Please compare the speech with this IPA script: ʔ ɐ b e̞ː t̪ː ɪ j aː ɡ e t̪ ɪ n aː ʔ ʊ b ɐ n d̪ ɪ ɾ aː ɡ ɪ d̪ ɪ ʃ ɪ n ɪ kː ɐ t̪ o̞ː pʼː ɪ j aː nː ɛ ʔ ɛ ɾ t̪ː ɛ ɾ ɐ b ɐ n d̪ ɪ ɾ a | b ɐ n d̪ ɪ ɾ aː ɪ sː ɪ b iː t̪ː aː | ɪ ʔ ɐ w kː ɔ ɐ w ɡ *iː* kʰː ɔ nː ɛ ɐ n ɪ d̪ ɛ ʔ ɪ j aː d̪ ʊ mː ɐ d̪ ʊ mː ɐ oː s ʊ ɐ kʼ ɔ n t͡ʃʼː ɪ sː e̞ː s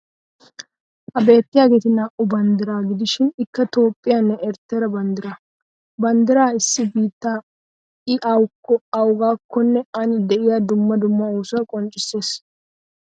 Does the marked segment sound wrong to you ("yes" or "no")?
yes